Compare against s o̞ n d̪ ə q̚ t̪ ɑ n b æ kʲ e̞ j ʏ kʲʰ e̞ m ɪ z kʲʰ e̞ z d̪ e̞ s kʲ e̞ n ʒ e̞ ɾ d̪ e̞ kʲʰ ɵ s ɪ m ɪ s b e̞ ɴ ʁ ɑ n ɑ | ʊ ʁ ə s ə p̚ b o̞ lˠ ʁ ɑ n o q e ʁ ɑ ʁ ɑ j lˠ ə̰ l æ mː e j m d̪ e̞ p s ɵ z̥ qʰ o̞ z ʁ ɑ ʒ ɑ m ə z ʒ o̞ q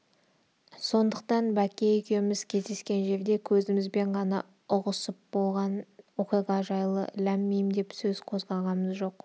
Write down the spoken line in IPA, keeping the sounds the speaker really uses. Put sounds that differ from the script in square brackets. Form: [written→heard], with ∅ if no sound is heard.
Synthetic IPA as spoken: s o̞ n d̪ ə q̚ t̪ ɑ n b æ kʲ e̞ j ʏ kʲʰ e̞ m ɪ z kʲʰ e̞ z d̪ e̞ s kʲ e̞ n ʒ e̞ ɾ d̪ e̞ kʲʰ ɵ [s→z] ɪ m ɪ [s→z] b e̞ ɴ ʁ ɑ n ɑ | ʊ ʁ ə s ə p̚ b o̞ lˠ ʁ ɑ n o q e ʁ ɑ [ʁ→ʒ] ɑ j lˠ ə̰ l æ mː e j m d̪ e̞ p s ɵ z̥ qʰ o̞ z ʁ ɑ [ʒ→ʁ] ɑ m ə z ʒ o̞ q

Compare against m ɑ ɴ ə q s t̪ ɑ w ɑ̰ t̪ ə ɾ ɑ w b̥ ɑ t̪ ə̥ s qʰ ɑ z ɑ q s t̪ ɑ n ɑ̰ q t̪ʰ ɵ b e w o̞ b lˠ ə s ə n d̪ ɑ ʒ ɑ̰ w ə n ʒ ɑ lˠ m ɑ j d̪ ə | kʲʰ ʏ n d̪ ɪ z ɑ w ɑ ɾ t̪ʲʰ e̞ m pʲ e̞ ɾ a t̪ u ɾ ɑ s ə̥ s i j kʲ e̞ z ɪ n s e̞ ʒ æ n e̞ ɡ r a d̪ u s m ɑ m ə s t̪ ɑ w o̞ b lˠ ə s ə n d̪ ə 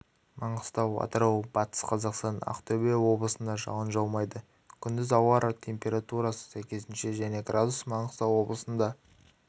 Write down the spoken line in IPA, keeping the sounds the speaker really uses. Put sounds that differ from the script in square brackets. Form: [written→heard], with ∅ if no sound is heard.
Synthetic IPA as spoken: m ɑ ɴ ə [q→∅] s t̪ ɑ w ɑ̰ t̪ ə ɾ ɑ w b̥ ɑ t̪ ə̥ s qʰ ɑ z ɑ q s t̪ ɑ n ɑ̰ q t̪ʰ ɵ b e w o̞ b lˠ ə s ə n d̪ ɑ ʒ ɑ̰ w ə n ʒ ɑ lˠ m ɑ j d̪ ə | kʲʰ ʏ n d̪ ɪ z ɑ w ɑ ɾ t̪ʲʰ e̞ m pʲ e̞ ɾ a t̪ u ɾ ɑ s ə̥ s [i→æ] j kʲ e̞ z ɪ n [s→ʃ] e̞ ʒ æ n e̞ ɡ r a d̪ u s m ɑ [m→ɴ] ə s t̪ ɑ w o̞ b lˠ ə s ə n d̪ [ə→ɑ]

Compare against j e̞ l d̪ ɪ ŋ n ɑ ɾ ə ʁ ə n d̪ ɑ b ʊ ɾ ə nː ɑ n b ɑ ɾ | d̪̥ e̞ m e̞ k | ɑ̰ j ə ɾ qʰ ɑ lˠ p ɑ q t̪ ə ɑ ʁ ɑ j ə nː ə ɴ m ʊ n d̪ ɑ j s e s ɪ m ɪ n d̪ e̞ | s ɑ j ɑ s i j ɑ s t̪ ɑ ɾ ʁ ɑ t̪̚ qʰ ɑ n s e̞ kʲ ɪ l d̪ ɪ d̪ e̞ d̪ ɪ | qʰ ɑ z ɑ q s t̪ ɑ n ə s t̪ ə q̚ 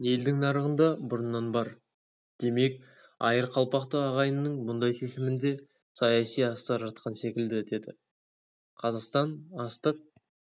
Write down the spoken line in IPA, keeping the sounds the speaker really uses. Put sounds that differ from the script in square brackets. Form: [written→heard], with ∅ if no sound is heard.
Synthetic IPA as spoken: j e̞ l d̪ ɪ ŋ n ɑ ɾ ə ʁ ə n d̪ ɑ b ʊ ɾ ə nː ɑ n b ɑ ɾ | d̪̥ e̞ m e̞ k | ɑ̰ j ə ɾ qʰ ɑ lˠ p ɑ q t̪ ə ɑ ʁ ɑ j ə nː ə ɴ m ʊ n d̪ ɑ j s e s ɪ m ɪ n d̪ e̞ | s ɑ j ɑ s i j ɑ s t̪ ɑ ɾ [ʁ→ʒ] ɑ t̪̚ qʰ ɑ n s e̞ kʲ ɪ l d̪ ɪ d̪ e̞ d̪ ɪ | qʰ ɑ z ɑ q s t̪ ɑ n [ə→ɑ] s t̪ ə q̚

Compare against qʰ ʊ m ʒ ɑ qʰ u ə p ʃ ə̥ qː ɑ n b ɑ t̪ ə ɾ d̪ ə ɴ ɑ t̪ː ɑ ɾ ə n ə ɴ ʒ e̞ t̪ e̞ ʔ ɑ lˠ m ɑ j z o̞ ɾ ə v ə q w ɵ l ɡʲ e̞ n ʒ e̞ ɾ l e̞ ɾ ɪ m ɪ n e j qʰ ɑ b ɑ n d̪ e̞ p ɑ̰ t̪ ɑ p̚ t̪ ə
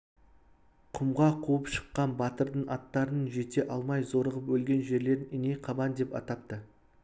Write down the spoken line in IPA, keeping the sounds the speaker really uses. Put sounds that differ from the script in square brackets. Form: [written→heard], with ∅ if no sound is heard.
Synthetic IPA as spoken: qʰ ʊ m [ʒ→ʁ] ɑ qʰ u ə p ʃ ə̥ qː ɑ n b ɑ t̪ ə ɾ d̪ ə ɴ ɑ t̪ː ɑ ɾ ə n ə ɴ ʒ e̞ t̪ e̞ ʔ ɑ lˠ m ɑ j z o̞ ɾ ə [v→ʁ] ə [q→p] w ɵ l ɡʲ e̞ n ʒ e̞ ɾ l e̞ ɾ ɪ [m→n] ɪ n e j qʰ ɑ b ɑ n d̪ e̞ p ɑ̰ t̪ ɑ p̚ t̪ ə

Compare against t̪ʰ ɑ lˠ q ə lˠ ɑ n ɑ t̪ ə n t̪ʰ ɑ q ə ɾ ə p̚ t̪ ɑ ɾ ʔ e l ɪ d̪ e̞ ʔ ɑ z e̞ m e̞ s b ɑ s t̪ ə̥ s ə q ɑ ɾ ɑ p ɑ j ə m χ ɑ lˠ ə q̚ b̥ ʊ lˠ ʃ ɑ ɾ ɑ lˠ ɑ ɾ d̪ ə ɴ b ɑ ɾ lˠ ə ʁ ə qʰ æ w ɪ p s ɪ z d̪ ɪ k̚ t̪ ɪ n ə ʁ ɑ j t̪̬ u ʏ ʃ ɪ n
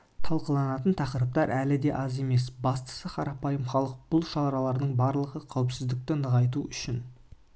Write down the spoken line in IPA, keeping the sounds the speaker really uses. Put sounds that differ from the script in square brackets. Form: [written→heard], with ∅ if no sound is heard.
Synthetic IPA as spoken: t̪ʰ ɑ lˠ q ə lˠ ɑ n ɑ t̪ ə n t̪ʰ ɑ q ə ɾ ə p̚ t̪ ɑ ɾ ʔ [e→æ] l ɪ d̪ e̞ ʔ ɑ z e̞ m e̞ s b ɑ s t̪ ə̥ s ə [q→qʰ] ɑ ɾ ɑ p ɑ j ə m χ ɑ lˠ ə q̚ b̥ ʊ lˠ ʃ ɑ ɾ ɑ lˠ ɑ ɾ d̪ ə ɴ b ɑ ɾ lˠ ə ʁ ə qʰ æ w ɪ p s ɪ z d̪ ɪ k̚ t̪ ɪ n ə ʁ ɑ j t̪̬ u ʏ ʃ ɪ n

